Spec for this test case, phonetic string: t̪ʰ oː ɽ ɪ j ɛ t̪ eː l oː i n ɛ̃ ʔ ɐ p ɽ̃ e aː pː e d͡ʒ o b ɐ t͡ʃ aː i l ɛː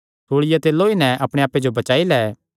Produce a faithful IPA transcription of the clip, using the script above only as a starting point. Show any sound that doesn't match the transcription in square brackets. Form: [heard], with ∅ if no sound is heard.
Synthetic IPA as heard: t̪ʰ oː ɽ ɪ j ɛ t̪ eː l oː i n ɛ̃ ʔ ɐ p ɽ̃ e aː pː e d͡ʒ o b ɐ t͡ʃ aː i l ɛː